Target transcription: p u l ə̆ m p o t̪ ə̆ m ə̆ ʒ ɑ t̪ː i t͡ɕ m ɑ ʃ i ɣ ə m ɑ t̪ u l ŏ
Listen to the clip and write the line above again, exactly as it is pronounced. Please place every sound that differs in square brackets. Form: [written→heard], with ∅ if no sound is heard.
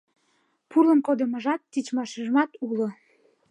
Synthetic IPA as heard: p u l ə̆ m [p→k] o [t̪→d̪] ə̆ m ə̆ ʒ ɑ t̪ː i t͡ɕ m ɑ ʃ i [ɣ→ʒ] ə m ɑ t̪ u l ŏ